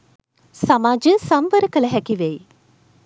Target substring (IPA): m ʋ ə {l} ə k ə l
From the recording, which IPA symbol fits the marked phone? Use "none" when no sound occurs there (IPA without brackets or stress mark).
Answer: ɾ